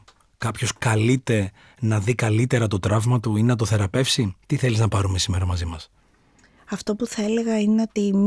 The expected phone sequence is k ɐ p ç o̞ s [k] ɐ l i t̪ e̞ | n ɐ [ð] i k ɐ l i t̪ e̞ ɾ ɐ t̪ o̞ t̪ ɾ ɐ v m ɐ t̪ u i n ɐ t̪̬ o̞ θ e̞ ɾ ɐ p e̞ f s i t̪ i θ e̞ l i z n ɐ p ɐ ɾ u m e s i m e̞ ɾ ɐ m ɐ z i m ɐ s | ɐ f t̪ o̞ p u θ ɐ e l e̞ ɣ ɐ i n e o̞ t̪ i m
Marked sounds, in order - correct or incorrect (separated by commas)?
correct, correct